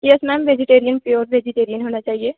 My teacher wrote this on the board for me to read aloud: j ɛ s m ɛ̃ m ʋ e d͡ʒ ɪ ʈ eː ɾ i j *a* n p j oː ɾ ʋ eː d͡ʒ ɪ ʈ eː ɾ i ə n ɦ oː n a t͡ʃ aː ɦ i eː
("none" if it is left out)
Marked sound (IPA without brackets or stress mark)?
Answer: ə